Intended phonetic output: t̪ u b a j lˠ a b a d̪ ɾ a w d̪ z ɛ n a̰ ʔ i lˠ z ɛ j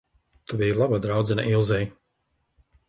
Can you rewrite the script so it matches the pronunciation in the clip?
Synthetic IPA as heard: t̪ u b i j lˠ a b a d̪ ɾ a w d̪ z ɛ n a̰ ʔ i lˠ z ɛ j